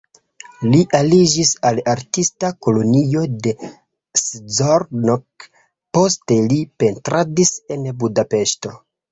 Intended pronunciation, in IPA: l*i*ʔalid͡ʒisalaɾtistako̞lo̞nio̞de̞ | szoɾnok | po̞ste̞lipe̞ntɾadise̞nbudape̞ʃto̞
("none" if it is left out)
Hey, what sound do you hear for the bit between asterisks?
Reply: i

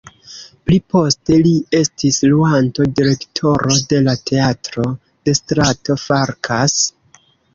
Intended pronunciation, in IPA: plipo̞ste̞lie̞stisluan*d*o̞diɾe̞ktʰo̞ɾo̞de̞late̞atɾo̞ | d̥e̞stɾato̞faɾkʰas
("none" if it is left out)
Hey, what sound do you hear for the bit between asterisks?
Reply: t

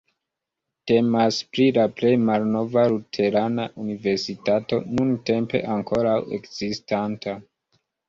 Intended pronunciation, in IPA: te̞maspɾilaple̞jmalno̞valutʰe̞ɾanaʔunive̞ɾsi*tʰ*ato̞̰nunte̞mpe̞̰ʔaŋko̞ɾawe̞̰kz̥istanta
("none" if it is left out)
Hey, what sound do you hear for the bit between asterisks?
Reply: t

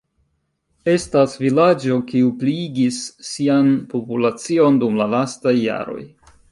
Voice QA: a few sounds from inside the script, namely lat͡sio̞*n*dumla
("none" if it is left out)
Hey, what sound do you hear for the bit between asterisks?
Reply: n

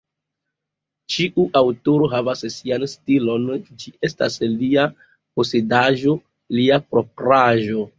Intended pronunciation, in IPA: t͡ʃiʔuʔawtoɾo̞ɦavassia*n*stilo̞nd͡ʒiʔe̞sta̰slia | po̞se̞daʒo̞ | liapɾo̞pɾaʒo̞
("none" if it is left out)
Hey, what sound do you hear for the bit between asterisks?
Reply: n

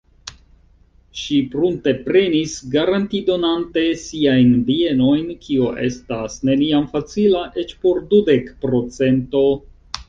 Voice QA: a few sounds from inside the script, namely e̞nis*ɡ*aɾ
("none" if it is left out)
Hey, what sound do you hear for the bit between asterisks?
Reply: ɡ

